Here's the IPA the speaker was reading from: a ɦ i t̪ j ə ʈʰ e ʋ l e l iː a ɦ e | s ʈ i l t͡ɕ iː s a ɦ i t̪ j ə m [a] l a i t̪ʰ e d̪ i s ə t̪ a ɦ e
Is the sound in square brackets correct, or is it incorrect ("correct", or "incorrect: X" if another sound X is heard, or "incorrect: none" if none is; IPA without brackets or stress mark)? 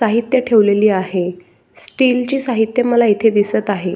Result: incorrect: ə